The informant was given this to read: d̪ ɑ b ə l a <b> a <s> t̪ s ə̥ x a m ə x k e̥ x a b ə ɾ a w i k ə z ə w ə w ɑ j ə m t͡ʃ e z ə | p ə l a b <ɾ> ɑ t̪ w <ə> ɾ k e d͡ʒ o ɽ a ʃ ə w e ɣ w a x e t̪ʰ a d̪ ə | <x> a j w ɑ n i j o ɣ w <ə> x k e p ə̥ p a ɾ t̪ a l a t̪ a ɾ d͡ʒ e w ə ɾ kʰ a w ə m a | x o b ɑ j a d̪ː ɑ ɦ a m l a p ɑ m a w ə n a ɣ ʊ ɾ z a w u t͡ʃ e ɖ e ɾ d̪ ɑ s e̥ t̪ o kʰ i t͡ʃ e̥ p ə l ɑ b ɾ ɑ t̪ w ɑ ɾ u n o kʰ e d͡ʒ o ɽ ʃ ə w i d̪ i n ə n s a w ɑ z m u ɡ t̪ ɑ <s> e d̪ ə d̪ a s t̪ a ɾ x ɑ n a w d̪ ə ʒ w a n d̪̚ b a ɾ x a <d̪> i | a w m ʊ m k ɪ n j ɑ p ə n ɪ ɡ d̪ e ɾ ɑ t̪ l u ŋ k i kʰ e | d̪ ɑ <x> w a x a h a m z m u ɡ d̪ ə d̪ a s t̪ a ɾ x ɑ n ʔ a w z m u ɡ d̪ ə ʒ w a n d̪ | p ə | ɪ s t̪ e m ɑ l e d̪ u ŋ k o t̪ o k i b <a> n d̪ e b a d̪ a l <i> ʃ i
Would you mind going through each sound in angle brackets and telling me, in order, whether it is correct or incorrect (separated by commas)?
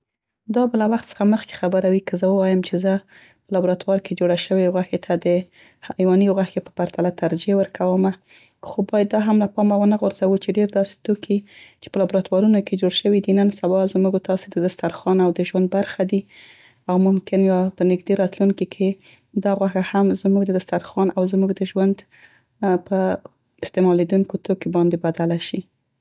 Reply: incorrect, incorrect, correct, incorrect, incorrect, incorrect, correct, correct, incorrect, incorrect, incorrect